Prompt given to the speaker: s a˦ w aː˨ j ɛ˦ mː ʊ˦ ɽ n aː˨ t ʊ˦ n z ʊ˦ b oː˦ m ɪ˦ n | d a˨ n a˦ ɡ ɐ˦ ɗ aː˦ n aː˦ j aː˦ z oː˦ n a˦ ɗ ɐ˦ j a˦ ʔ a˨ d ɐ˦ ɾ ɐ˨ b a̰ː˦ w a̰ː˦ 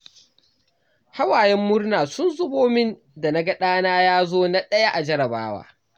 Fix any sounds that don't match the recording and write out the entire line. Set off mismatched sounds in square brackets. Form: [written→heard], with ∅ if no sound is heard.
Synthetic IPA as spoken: [s→h] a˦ w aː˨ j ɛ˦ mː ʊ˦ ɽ n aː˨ [t→s] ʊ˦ n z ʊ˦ b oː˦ m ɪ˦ n | d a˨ n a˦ ɡ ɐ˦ ɗ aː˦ n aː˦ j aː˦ z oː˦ n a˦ ɗ ɐ˦ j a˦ ʔ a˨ [d→d͡ʒ] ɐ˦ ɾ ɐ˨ b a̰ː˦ w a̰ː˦

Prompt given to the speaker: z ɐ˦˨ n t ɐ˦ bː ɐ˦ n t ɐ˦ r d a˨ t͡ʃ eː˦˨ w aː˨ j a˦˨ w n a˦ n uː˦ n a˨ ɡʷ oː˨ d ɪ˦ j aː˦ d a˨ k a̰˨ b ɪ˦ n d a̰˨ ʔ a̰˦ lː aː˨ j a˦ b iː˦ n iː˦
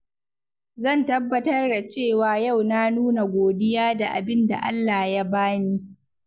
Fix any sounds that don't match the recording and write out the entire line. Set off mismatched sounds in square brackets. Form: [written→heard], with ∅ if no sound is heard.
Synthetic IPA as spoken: z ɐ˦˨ n t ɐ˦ bː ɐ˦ [n→∅] t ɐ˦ r d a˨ t͡ʃ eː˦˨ w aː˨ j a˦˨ w n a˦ n uː˦ n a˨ ɡʷ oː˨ d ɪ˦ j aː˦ d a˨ [k→ʔ] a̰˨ b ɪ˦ n d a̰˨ ʔ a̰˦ lː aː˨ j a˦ b [iː˦→aː˦] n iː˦

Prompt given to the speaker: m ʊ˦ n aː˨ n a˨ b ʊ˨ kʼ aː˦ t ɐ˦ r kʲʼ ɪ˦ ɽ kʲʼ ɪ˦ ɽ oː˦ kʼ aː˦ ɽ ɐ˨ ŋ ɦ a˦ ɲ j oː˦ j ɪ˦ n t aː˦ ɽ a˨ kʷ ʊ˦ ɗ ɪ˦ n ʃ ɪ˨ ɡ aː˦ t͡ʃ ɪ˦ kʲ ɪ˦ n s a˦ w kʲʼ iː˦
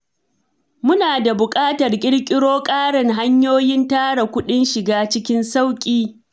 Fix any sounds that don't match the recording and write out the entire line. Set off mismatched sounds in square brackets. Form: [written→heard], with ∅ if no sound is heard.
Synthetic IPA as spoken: m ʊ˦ n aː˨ [n→d] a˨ b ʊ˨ kʼ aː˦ t [ɐ˦→ɐ˨] r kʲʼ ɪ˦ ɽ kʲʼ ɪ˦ ɽ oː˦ kʼ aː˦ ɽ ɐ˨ ŋ ɦ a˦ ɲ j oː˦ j ɪ˦ n t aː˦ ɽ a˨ kʷ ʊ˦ ɗ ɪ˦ n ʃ ɪ˨ ɡ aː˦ t͡ʃ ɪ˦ kʲ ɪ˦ n s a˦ w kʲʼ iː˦

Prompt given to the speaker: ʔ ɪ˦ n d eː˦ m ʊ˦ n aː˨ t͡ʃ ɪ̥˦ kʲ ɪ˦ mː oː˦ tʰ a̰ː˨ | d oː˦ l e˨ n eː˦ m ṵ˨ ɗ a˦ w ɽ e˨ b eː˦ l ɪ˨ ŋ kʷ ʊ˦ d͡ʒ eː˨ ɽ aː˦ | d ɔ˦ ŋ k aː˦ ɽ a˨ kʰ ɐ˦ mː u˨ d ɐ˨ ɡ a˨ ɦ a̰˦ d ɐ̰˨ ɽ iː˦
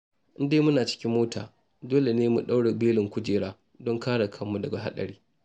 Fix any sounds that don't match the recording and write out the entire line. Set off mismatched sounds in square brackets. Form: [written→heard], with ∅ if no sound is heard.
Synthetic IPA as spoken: ʔ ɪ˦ n d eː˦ m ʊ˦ n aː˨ t͡ʃ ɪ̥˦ kʲ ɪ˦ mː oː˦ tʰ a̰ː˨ | d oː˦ l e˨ n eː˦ m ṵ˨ ɗ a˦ w ɽ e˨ b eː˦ l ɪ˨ ŋ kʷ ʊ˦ d͡ʒ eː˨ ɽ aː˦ | d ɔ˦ ŋ k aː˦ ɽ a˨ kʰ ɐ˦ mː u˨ d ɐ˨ ɡ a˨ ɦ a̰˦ [d→ɗ] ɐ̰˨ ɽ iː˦

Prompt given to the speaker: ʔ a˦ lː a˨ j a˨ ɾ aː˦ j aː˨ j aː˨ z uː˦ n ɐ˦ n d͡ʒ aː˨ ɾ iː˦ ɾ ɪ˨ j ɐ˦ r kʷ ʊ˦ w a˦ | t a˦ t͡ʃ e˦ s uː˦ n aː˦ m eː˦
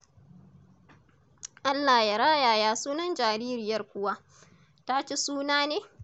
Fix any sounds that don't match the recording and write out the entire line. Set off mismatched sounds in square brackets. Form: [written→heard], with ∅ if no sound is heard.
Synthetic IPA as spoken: ʔ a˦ lː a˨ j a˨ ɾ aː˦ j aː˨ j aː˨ [z→s] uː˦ n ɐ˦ n d͡ʒ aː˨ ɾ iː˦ ɾ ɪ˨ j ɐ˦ r kʷ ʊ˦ w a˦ | t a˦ t͡ʃ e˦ s uː˦ n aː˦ [m→n] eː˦

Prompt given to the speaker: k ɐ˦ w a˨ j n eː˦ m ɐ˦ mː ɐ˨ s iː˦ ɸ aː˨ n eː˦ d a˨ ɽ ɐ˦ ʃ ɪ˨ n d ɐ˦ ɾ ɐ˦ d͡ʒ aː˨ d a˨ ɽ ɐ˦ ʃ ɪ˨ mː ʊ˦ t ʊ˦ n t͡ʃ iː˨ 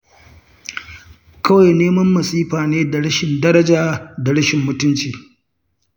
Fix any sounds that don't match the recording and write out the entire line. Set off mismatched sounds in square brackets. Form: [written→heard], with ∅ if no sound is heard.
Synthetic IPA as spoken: k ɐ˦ w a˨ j n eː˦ m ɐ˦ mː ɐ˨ s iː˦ ɸ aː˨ n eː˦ d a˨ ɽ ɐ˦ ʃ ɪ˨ n d ɐ˦ ɾ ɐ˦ d͡ʒ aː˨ d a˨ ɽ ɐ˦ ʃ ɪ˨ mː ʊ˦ t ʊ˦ n t͡ʃ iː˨

